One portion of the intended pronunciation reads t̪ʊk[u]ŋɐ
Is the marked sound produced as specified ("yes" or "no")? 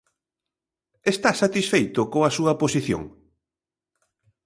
no